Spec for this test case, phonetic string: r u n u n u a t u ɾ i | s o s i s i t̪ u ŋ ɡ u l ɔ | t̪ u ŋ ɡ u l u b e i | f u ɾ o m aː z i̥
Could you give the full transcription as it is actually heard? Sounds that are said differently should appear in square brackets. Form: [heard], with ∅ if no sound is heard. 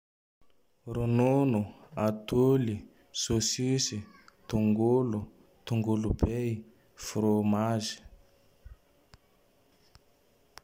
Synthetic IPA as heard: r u n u n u a t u [l] i | s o s i s i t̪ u ŋ ɡ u l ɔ | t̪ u ŋ ɡ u l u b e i | f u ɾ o m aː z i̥